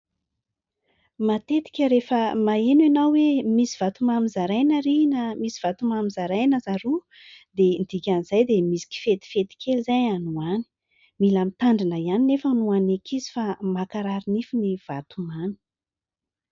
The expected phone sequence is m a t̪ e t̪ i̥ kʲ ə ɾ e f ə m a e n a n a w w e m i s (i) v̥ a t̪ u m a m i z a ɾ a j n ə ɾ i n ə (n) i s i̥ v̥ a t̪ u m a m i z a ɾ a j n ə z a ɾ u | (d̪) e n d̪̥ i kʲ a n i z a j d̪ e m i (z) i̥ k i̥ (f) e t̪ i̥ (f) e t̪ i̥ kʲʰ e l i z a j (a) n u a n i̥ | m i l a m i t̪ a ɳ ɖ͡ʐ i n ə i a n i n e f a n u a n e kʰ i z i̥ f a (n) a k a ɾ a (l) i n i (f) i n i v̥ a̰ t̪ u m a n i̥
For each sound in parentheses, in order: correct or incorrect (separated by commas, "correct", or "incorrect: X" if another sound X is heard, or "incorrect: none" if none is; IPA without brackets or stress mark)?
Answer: correct, incorrect: m, correct, incorrect: s, correct, correct, correct, incorrect: m, incorrect: ɾ, correct